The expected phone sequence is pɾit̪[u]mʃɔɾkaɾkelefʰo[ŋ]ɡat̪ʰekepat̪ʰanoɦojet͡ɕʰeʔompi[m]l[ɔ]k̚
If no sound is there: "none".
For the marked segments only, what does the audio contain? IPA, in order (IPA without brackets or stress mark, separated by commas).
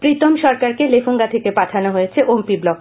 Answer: o, ŋ, b, ɔ